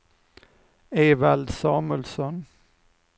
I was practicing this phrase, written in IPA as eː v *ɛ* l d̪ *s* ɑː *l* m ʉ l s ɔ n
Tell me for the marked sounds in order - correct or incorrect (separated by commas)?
incorrect, correct, incorrect